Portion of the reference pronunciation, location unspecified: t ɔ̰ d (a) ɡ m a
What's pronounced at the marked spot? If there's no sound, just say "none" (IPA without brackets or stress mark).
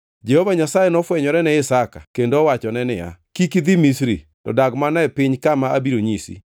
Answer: a